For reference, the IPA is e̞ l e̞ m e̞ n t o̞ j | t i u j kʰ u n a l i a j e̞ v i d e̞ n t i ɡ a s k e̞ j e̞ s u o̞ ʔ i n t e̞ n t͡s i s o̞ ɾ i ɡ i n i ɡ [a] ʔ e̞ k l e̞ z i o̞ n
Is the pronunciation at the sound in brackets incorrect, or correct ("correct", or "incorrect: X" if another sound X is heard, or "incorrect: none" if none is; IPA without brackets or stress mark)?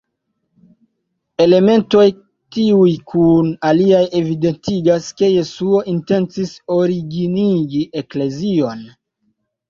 incorrect: i